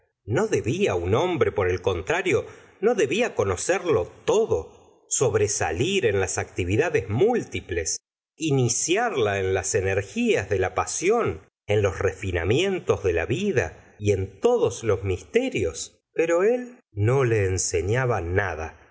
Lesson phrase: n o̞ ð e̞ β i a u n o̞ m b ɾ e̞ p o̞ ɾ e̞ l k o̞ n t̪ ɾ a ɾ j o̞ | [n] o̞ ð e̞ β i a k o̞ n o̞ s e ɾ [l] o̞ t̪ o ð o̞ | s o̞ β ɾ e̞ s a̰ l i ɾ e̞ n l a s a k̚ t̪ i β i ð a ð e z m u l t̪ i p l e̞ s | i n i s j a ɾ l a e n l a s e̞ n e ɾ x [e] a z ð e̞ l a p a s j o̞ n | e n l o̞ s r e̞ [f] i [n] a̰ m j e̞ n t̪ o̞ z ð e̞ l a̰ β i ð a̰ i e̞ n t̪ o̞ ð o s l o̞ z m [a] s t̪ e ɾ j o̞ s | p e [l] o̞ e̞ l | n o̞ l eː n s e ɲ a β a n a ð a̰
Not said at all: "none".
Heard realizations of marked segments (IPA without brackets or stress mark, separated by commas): n, l, i, f, n, i, ɾ